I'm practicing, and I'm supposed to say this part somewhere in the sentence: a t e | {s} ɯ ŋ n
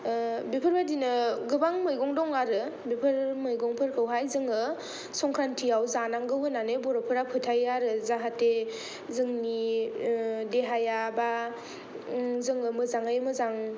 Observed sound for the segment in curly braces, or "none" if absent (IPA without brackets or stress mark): z